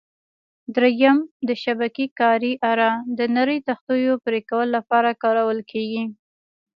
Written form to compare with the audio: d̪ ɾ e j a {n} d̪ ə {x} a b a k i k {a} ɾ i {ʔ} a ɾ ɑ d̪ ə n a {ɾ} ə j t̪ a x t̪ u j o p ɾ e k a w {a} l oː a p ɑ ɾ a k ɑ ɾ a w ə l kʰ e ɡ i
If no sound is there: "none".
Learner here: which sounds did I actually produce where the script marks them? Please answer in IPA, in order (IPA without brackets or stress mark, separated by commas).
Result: m, ʃ, ɑ, ʔ, ɾ, ə